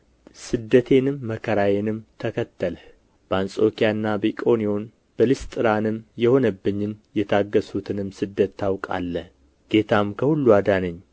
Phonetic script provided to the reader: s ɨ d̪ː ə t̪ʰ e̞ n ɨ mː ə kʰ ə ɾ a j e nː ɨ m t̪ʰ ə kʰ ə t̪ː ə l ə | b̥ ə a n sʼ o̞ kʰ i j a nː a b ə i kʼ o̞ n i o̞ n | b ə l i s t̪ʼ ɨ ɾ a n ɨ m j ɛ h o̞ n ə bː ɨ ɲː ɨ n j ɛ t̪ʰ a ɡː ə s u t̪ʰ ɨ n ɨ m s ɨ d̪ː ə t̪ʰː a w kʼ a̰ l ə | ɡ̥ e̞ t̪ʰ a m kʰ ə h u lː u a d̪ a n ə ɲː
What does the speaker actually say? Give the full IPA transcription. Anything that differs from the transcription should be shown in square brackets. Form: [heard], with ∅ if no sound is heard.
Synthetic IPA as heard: s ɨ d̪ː ə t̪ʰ e̞ n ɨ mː ə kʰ ə ɾ a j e [n] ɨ m t̪ʰ ə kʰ ə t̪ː ə l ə | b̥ ə a n sʼ o̞ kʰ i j a nː a b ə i kʼ o̞ n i o̞ n | b ə l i s t̪ʼ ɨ ɾ a n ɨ m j ɛ h o̞ n ə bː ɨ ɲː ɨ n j ɛ t̪ʰ a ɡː ə s u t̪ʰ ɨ n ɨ m s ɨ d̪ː ə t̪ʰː a w kʼ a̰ [lː] ə | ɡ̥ e̞ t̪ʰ a m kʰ ə h u lː u a d̪ a n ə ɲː